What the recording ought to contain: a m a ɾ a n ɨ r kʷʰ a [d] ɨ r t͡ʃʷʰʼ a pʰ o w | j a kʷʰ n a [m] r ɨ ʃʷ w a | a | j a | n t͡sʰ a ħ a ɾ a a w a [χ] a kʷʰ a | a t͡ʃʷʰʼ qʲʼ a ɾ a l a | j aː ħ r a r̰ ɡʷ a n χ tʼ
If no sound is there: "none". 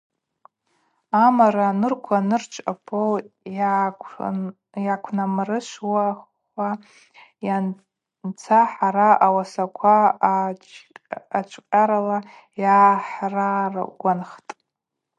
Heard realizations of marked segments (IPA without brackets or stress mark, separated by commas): n, m, s